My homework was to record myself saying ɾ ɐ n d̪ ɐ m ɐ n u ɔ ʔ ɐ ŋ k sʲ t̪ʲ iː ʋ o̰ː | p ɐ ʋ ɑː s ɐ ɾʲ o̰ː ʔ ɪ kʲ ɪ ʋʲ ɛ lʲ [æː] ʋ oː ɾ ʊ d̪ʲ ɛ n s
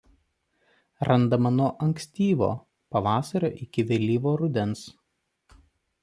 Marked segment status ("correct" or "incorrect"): incorrect